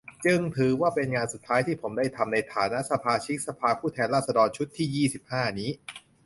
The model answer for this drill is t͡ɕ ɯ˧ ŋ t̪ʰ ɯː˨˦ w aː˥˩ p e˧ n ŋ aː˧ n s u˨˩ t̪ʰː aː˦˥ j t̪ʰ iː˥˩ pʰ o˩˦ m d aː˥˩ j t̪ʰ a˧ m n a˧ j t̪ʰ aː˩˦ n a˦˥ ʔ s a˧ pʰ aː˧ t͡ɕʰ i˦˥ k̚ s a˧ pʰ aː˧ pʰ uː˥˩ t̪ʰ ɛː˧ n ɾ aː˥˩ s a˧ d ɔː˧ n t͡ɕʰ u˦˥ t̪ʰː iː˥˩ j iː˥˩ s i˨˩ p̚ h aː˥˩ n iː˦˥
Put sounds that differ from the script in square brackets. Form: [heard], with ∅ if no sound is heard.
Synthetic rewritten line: t͡ɕ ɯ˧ ŋ t̪ʰ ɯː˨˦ w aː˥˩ p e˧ n ŋ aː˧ n s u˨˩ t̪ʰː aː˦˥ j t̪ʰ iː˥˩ pʰ o˩˦ m d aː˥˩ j t̪ʰ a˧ m n a˧ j t̪ʰ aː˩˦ n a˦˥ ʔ s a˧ pʰ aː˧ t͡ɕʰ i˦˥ k̚ s a˧ pʰ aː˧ pʰ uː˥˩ t̪ʰ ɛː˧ n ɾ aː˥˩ s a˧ d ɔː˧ n t͡ɕʰ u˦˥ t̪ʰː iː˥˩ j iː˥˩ s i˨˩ p̚ h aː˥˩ n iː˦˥